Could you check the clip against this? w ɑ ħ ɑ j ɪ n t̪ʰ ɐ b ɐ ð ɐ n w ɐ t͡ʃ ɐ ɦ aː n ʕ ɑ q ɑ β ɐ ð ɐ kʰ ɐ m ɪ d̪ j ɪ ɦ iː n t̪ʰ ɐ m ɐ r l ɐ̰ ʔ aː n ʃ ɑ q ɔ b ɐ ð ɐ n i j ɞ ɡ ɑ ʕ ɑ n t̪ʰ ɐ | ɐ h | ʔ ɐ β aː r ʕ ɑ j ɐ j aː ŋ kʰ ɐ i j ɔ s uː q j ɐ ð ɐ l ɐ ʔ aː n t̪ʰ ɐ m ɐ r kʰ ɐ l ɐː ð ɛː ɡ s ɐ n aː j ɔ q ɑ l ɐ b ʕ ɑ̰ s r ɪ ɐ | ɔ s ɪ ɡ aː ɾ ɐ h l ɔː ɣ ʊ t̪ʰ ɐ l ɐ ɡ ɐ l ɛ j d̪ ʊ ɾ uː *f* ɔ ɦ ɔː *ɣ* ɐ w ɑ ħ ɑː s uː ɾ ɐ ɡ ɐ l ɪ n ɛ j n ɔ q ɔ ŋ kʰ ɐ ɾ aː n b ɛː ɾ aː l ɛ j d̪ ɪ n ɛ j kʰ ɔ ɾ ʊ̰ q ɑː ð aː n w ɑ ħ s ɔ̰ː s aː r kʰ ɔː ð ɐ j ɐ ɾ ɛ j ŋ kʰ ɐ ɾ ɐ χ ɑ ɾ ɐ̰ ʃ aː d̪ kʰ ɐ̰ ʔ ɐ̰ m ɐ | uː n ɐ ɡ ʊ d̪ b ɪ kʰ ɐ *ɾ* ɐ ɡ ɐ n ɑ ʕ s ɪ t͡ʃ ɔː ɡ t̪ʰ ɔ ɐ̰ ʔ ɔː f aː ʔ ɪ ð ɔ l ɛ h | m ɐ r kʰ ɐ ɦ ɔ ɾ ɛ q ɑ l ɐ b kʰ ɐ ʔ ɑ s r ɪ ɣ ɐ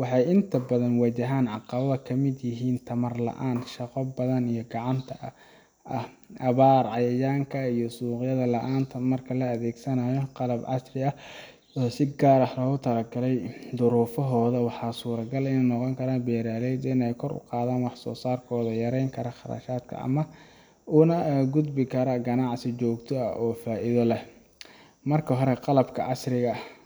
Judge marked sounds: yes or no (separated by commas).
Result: yes, no, yes